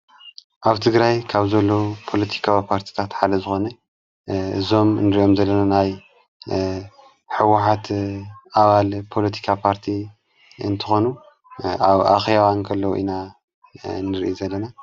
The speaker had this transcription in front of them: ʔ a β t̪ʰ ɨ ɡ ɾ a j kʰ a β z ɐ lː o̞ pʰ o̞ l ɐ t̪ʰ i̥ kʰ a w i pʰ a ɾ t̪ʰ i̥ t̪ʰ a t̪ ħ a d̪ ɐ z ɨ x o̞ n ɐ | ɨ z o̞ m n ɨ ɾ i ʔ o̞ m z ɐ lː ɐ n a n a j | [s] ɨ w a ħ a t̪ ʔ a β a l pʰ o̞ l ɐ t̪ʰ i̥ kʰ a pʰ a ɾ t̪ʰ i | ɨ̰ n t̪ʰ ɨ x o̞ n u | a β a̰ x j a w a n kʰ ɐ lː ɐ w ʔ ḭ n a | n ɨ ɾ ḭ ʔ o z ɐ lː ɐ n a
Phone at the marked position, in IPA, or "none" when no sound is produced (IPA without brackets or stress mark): ħ